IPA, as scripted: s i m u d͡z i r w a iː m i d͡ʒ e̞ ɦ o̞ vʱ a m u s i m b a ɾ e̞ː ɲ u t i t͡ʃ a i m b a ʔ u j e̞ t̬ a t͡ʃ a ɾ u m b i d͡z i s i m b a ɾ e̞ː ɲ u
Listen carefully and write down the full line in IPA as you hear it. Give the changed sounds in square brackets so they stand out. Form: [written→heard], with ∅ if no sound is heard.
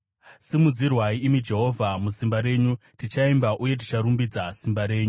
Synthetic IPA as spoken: s i m u d͡z i r w a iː m i d͡ʒ e̞ ɦ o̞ vʱ a m u s i m b a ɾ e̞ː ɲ u t i t͡ʃ a i m b a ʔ u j e̞ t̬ [a→i] t͡ʃ a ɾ u m b i d͡z [i→a] s i m b a ɾ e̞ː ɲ u